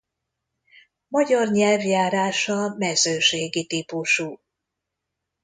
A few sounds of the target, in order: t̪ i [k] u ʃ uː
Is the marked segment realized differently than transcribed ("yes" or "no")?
yes